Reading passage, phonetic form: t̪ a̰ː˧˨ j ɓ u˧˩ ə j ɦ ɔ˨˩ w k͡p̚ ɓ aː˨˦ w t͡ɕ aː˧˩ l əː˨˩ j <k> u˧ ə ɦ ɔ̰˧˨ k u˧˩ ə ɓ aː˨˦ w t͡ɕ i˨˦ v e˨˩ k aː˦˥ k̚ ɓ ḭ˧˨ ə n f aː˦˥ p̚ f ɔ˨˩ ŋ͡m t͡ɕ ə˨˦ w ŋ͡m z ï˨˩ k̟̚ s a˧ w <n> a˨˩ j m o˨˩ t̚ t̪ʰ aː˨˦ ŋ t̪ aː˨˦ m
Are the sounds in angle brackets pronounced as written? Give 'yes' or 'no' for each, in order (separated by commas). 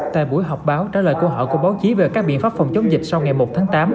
yes, no